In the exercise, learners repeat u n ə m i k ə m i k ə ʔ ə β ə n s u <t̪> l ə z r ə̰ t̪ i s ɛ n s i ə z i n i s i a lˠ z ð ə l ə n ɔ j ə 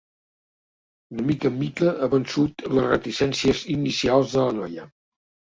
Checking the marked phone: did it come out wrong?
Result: no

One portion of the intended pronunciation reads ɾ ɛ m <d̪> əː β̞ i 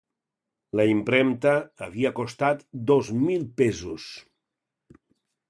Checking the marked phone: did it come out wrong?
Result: yes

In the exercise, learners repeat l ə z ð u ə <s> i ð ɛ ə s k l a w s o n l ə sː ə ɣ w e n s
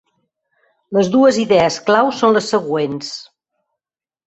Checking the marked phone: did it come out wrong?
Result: yes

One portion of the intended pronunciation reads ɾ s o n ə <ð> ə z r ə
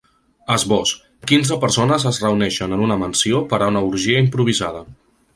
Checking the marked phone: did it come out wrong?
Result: yes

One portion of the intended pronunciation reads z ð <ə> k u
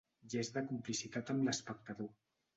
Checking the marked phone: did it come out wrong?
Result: no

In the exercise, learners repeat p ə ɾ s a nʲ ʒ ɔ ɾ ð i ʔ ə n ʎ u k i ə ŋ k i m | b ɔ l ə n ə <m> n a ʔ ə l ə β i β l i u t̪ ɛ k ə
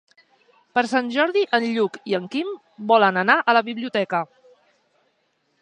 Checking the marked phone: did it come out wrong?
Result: yes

